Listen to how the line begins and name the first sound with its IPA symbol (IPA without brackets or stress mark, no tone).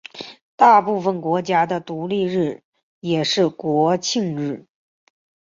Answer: t̪